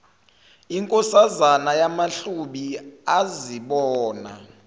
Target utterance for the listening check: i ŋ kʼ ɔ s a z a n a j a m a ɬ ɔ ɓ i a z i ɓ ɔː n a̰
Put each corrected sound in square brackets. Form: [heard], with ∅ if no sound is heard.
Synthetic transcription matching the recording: i ŋ kʼ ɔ s a z a n a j a m a ɬ [u] ɓ i a z i ɓ ɔː n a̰